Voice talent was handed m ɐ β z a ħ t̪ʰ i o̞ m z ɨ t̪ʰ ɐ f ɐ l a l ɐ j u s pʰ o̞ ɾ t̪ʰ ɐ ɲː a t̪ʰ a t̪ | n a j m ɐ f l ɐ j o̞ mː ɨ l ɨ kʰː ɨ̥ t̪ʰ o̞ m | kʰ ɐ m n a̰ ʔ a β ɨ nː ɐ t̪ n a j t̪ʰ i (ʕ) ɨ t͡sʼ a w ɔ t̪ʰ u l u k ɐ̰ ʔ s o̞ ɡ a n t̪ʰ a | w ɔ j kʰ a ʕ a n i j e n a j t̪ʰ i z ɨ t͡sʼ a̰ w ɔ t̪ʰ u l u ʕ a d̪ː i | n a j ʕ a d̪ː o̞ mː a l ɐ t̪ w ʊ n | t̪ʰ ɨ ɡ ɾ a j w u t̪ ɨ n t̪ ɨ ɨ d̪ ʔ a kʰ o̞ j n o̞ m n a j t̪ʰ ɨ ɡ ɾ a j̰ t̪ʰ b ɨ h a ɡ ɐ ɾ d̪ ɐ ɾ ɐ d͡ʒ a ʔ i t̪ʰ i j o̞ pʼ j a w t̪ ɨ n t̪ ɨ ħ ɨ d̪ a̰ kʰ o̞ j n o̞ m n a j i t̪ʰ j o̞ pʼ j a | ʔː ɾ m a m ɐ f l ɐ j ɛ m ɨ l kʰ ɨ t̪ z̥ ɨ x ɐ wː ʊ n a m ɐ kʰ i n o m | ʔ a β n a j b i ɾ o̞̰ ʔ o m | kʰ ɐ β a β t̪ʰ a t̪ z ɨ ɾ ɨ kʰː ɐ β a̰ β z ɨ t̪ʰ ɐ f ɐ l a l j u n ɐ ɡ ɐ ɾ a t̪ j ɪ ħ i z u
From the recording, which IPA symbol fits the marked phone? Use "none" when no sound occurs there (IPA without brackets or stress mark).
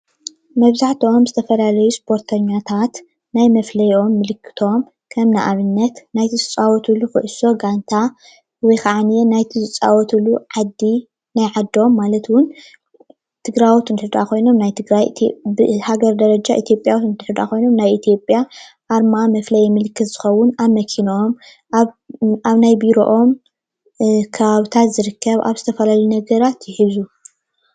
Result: z